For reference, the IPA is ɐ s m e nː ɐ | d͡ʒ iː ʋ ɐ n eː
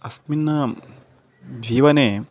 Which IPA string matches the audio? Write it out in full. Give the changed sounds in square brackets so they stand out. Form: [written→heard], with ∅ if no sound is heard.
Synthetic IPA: ɐ s m [e→i] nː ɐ | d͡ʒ iː ʋ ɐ n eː